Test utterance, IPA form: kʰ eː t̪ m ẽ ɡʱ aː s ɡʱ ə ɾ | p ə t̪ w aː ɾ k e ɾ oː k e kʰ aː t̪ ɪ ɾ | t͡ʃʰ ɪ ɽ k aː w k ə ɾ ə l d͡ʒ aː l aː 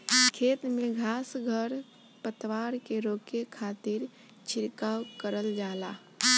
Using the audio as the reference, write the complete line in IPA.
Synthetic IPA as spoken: kʰ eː t̪ m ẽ ɡʱ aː s ɡʱ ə ɾ | p ə t̪ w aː ɾ k e ɾ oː k e kʰ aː t̪ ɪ ɾ | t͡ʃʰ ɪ ɾ k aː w k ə ɾ ə l d͡ʒ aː l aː